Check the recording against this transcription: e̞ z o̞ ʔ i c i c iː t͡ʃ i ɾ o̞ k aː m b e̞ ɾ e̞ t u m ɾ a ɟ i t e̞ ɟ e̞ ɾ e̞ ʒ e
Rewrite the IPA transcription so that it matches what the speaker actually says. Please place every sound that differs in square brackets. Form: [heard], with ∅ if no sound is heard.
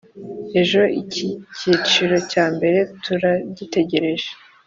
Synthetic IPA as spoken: e̞ [ʒ] o̞ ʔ i c i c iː t͡ʃ i ɾ o̞ [c] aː m b e̞ ɾ e̞ t u [∅] ɾ a ɟ i t e̞ ɟ e̞ ɾ e̞ ʒ e

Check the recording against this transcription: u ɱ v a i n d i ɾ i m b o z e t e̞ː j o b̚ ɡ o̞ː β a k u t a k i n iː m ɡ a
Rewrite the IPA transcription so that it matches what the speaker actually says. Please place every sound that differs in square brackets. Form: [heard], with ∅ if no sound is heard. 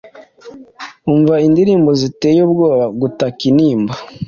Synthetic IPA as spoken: u ɱ v a i n d i ɾ [iː] m b o z [i] t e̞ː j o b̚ ɡ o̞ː β a [ɡ] u t a k i n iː m [b] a

